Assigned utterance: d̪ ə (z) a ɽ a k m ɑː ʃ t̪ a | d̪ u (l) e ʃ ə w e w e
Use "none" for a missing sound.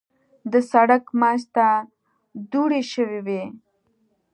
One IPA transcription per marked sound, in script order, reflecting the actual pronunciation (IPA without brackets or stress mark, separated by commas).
s, ɽ